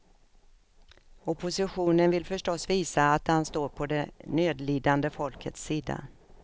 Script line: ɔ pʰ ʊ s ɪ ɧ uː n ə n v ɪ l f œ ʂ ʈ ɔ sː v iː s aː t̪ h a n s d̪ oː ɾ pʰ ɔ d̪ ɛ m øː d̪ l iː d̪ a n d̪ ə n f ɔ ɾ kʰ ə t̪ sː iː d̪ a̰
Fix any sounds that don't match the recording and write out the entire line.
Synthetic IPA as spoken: ɔ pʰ ʊ s ɪ ɧ uː n ə n v ɪ l f œ ʂ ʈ ɔ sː v iː s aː t̪ h a n s t̪ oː ɾ pʰ ɔ d̪ ɛ n øː d̪ l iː d̪ a n d̪ ə f ɔ l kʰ ə t̪ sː iː d̪ a̰